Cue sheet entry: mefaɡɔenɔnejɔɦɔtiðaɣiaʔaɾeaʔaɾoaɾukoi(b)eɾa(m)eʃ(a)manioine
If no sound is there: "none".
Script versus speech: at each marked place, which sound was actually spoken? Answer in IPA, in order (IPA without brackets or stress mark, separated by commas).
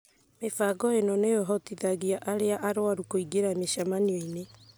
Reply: ɡ, m, a